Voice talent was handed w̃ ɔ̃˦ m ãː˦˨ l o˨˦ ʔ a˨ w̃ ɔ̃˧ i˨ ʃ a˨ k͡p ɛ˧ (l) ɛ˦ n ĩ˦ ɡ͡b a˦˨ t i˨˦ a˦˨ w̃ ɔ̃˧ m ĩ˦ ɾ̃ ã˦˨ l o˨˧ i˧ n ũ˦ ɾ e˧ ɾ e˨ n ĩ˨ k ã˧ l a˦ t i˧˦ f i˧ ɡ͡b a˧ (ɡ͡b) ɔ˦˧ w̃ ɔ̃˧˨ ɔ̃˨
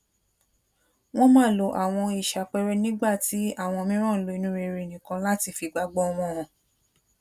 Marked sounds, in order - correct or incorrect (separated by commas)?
incorrect, correct